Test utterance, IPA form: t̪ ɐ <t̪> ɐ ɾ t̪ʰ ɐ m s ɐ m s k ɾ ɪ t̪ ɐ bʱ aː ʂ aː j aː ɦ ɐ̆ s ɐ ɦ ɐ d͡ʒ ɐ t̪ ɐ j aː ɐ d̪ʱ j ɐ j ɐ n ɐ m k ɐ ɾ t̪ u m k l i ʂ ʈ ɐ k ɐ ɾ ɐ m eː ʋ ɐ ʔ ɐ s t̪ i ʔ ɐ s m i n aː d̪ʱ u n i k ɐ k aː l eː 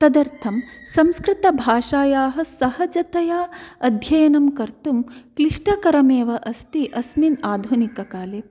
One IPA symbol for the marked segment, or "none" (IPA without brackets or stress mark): d̪